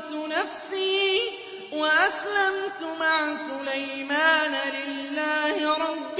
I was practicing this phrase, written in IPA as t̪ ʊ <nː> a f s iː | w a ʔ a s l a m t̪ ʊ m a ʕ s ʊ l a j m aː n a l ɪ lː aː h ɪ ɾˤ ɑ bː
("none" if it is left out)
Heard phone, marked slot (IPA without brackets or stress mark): n